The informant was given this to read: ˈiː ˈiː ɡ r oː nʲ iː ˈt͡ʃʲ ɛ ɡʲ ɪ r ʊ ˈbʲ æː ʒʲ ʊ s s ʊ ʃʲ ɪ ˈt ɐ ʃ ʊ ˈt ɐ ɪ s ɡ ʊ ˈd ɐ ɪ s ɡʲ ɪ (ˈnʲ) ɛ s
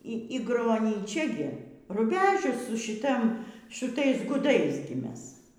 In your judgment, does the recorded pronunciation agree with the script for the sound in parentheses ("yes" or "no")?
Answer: no